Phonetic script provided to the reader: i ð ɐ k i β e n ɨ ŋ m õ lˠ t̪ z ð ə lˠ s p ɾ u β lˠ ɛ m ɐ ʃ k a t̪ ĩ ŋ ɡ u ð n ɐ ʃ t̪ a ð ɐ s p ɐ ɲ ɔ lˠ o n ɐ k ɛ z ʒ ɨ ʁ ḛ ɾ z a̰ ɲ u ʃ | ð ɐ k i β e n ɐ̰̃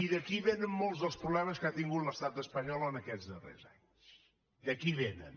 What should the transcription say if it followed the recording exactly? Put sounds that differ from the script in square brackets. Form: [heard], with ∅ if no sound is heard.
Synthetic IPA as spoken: i ð ɐ k i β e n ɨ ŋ m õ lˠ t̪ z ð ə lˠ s p ɾ u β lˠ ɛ m ɐ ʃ k a t̪ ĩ ŋ ɡ u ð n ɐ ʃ t̪ a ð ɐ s p ɐ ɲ ɔ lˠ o n ɐ k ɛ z [ð] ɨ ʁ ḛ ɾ z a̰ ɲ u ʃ | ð ɐ k i β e n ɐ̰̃